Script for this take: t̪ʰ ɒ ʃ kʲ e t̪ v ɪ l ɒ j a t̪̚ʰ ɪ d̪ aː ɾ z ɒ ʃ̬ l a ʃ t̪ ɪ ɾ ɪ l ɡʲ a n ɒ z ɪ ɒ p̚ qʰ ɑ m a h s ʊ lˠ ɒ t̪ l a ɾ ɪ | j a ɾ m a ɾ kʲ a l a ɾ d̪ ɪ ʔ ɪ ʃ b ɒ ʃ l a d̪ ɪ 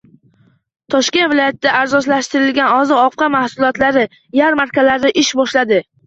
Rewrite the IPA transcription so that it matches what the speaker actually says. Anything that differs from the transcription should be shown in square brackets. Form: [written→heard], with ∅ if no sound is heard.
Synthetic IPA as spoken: t̪ʰ ɒ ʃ kʲ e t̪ v ɪ l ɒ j a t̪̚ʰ ɪ d̪ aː ɾ z ɒ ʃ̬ l a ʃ t̪ ɪ ɾ ɪ l ɡʲ a n ɒ z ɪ ɒ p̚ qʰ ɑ m a h s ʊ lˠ ɒ t̪ l a ɾ ɪ | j a ɾ m a ɾ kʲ a l a ɾ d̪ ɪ ʔ ɪ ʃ b ɒ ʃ l a d̪ ɪ